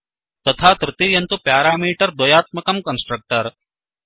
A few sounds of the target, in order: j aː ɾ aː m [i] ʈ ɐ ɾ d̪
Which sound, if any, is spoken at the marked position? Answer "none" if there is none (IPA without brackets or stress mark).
iː